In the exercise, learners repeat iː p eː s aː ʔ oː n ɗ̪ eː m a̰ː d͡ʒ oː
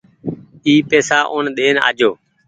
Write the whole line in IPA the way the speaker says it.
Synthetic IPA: iː p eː s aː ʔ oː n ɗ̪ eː n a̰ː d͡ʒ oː